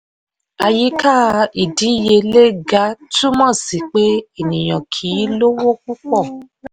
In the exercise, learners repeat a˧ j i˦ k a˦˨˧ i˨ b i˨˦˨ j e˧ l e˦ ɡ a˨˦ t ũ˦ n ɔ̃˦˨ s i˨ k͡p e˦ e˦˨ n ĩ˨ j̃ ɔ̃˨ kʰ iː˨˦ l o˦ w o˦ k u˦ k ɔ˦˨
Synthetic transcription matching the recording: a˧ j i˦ k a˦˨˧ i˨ d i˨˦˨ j e˧ l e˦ ɡ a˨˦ t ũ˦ m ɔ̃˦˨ s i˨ k͡p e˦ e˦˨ n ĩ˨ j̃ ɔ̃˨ kʰ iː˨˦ l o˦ w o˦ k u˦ k͡p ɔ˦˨